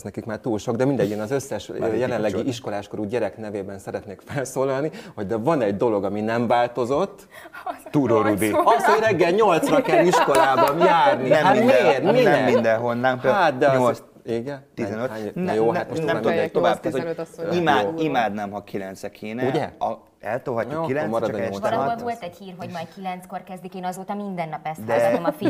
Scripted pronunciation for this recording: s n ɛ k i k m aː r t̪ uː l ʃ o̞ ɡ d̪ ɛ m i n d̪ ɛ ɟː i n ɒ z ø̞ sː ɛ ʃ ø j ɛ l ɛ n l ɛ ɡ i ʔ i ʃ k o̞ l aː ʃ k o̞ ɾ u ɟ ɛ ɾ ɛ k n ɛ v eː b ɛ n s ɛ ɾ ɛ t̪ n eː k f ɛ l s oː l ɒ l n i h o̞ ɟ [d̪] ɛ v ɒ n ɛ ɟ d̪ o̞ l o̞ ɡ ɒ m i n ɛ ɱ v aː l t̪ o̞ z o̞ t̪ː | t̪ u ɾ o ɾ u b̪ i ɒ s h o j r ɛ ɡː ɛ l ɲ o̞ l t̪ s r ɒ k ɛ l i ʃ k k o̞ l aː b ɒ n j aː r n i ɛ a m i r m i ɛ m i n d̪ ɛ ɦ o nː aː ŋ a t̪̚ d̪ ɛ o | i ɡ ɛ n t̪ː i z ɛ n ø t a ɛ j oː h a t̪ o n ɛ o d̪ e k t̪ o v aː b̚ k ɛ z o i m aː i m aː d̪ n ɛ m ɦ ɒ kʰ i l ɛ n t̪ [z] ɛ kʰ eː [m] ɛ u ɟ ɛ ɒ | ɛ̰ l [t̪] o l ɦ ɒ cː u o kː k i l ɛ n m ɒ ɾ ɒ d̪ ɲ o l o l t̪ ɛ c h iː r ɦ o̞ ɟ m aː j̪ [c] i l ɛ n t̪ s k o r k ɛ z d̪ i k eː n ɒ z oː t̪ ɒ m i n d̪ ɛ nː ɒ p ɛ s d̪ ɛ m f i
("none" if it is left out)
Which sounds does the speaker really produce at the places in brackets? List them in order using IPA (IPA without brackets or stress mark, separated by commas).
d̪, s, n, t̪, k